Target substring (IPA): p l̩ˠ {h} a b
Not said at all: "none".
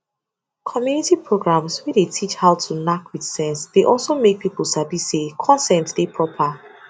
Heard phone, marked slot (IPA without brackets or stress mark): s